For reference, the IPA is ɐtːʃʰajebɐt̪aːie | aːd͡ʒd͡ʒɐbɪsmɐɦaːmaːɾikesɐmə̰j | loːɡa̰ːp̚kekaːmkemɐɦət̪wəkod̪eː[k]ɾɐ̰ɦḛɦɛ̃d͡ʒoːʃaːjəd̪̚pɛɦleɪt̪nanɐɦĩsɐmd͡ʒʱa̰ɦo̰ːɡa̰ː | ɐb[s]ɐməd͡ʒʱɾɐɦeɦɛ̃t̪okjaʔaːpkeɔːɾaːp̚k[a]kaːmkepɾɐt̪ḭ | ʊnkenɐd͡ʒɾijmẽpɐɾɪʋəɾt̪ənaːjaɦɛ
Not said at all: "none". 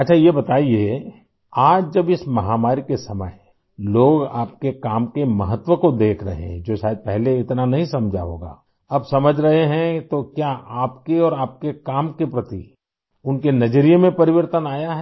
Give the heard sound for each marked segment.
kʰ, s, e

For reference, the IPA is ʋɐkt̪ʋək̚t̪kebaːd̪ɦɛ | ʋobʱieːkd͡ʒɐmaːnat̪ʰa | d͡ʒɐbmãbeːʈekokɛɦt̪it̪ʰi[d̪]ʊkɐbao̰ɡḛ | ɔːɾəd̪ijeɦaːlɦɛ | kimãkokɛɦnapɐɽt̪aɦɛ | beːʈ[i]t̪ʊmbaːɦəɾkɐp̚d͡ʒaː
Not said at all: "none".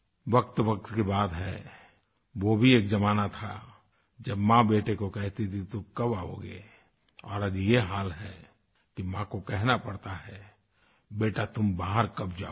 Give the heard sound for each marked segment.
t̪, a

